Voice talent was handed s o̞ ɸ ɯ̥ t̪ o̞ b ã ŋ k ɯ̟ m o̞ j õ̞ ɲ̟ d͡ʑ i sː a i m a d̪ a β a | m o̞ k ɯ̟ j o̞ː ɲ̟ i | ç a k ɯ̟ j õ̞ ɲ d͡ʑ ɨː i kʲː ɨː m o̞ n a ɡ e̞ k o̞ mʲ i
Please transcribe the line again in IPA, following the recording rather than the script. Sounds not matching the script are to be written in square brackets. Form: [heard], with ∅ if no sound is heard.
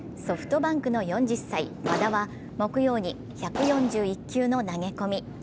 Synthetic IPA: s o̞ ɸ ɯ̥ t̪ o̞ b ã ŋ k ɯ̟ [n] o̞ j õ̞ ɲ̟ d͡ʑ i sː a i m a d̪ a β a | m o̞ k ɯ̟ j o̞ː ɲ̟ i | ç a k ɯ̟ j õ̞ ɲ d͡ʑ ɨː i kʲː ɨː [n] o̞ n a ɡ e̞ k o̞ mʲ i